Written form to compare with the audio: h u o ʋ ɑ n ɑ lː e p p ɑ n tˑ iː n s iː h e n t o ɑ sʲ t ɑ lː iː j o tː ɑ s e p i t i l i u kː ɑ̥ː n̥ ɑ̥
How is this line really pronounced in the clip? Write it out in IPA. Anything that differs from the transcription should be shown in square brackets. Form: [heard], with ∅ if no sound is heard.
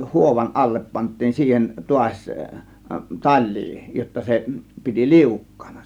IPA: h u o ʋ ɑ n ɑ lː e p p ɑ n tˑ iː n s iː h e n t [u] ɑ sʲ t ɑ lː iː j o tː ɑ s e p i t i l i u kː ɑ̥ː n̥ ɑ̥